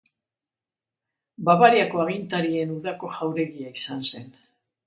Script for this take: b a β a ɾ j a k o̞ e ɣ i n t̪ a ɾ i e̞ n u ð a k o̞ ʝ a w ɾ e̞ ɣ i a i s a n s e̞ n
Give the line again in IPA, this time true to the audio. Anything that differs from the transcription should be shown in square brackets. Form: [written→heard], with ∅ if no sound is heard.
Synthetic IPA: b a β a ɾ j a k o̞ [e→a] ɣ i n t̪ a ɾ i e̞ n u ð a k o̞ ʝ a w ɾ e̞ ɣ i a i s a n s e̞ n